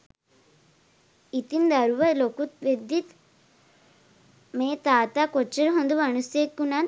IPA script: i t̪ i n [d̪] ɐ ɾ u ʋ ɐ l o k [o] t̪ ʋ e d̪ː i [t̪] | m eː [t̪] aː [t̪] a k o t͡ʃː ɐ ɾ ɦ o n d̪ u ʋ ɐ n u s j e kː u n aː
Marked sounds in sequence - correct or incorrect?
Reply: correct, incorrect, correct, correct, correct

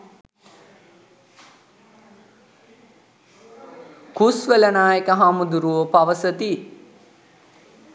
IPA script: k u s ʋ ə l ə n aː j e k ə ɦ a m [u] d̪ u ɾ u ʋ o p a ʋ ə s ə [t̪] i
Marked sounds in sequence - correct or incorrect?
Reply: correct, correct

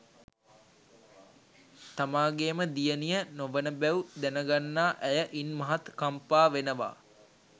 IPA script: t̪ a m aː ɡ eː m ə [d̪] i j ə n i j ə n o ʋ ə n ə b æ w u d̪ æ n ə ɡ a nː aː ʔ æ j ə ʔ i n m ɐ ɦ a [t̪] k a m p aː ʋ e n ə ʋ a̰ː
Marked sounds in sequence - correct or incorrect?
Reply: correct, correct

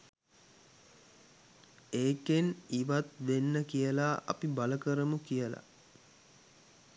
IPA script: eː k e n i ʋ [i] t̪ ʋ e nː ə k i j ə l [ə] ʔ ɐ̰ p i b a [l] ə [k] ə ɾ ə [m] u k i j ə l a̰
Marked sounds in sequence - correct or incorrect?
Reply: incorrect, incorrect, correct, correct, correct

